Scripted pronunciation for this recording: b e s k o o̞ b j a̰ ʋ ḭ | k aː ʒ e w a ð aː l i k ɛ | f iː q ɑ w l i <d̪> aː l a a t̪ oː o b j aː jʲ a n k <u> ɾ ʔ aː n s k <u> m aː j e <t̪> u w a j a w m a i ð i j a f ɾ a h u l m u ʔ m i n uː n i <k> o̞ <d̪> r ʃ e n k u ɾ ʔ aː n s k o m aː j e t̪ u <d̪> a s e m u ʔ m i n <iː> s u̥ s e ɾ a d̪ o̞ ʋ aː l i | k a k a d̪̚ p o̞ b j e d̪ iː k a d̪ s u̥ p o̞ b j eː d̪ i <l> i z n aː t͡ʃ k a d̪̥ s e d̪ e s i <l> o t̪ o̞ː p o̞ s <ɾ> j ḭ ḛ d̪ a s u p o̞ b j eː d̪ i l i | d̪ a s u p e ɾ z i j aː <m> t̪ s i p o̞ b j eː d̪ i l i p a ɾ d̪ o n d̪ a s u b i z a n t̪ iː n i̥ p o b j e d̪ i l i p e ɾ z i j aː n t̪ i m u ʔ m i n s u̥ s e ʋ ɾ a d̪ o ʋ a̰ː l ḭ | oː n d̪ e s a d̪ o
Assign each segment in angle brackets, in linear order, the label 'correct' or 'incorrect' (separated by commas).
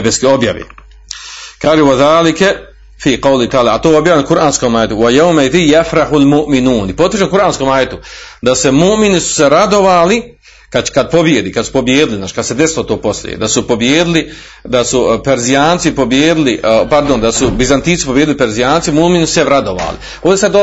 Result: incorrect, correct, incorrect, correct, incorrect, incorrect, correct, incorrect, correct, correct, incorrect, incorrect